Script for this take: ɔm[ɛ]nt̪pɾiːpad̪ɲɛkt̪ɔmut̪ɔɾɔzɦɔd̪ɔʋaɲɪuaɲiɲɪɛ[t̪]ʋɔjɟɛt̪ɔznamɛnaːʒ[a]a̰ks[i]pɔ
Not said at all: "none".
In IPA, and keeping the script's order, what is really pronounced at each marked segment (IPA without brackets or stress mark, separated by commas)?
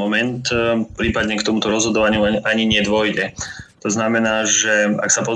ɛ, d̪, ɛ, a